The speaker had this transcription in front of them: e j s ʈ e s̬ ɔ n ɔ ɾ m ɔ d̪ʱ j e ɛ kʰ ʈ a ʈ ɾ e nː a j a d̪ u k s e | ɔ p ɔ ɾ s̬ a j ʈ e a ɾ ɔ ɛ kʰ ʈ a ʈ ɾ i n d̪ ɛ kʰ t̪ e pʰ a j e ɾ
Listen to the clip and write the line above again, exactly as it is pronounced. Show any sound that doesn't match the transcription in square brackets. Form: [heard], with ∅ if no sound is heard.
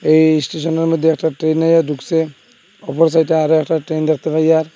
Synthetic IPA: e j s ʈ e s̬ ɔ n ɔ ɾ m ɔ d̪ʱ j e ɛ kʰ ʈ a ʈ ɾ e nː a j a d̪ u k s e | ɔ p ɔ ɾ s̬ a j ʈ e a ɾ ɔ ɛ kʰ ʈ a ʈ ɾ [e] n d̪ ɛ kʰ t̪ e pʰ a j [a] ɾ